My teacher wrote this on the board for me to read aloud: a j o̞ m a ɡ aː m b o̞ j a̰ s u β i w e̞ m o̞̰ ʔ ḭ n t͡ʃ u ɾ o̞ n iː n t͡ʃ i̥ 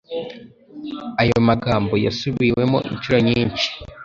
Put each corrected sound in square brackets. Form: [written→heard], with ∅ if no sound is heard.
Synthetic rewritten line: a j o̞ m a ɡ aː m b o̞ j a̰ s u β i w e̞ m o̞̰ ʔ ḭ n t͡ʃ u ɾ o̞ [n→ɲ] iː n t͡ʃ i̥